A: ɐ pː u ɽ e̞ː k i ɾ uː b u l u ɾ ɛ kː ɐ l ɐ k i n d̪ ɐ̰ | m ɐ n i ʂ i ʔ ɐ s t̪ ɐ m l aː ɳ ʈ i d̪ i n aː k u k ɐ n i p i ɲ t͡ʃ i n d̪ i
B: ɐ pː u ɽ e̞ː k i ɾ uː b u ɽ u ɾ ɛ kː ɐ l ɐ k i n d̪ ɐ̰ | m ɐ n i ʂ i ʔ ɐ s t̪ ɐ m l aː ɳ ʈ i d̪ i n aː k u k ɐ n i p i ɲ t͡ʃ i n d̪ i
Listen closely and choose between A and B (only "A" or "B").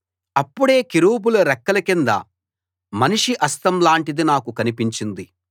A